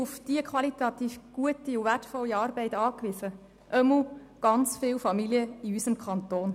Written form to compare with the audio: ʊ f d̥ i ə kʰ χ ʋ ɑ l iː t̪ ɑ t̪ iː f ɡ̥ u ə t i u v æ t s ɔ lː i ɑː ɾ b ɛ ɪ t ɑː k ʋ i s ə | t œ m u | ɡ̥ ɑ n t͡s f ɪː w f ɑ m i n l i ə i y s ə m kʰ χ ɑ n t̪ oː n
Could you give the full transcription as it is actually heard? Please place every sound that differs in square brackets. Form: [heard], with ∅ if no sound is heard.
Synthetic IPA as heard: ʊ f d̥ i ə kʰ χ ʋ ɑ l [i] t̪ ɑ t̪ iː f ɡ̥ u ə t i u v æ t [f] ɔ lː i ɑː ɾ b ɛ ɪ t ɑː k ʋ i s ə | [ʔ] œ m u | ɡ̥ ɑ n t͡s f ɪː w f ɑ m i [∅] l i ə i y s ə m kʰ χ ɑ n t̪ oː n